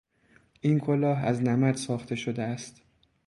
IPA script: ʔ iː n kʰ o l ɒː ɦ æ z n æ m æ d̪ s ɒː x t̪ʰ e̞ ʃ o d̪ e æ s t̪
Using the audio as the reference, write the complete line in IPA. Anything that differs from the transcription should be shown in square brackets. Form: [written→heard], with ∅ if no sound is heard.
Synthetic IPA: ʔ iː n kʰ o l ɒː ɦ æ z n æ m æ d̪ s ɒː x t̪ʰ e̞ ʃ o d̪ e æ s t̪